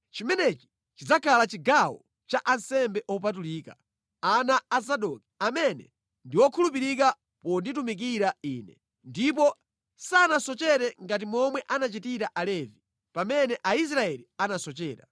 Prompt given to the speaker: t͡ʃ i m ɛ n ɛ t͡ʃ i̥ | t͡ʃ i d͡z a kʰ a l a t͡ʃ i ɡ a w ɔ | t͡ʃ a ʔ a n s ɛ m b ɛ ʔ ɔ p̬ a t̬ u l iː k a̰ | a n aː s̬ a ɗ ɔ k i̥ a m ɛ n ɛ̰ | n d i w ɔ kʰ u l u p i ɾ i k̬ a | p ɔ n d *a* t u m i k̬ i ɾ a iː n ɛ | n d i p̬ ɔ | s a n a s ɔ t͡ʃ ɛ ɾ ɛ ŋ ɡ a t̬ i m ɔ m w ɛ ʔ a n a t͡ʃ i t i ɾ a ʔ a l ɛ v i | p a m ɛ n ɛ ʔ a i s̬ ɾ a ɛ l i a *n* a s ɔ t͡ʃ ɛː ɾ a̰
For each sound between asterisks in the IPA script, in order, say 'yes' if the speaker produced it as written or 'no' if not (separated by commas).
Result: no, yes